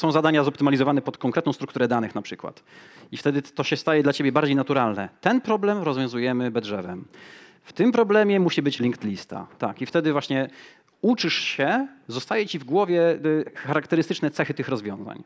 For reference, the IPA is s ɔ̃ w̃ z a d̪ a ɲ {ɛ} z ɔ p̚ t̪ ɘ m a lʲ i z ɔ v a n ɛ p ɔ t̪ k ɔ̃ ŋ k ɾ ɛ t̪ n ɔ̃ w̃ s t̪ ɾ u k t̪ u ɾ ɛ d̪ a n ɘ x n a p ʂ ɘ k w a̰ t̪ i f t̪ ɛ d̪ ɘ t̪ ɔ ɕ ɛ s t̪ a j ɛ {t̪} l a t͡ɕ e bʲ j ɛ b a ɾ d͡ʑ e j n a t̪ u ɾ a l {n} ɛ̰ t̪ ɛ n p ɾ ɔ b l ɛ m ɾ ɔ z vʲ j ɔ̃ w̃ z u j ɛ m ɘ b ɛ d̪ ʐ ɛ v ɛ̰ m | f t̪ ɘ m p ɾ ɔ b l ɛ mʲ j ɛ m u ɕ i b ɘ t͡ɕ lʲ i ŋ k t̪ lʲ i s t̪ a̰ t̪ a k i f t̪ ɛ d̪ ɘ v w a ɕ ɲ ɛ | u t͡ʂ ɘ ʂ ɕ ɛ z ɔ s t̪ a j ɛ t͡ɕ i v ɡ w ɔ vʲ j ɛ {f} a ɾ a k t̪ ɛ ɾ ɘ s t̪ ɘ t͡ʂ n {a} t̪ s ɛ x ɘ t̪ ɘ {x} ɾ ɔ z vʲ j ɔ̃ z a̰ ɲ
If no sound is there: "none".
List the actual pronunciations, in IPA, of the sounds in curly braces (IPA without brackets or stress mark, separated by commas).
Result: a, d̪, n, x, ɛ, x